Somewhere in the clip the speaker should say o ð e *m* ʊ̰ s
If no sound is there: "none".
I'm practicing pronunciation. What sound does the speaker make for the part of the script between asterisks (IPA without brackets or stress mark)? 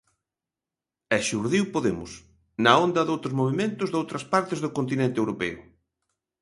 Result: m